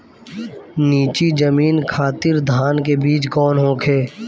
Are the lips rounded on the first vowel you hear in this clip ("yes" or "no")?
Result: no